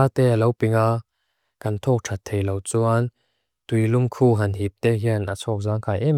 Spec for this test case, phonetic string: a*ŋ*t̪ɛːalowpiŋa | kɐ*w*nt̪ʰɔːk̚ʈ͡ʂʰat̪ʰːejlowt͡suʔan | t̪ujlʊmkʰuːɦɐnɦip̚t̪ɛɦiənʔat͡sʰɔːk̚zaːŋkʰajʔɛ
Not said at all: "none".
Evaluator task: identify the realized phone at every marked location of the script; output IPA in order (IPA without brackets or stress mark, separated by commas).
none, none